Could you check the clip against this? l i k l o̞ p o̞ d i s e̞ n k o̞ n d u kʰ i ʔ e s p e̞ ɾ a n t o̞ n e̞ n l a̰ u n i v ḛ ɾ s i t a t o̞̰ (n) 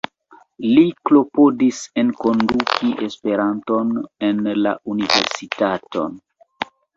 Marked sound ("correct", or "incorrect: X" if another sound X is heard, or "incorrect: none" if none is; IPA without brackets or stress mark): correct